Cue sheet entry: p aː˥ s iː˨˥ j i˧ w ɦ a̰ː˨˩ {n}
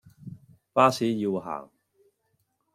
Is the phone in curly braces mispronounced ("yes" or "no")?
yes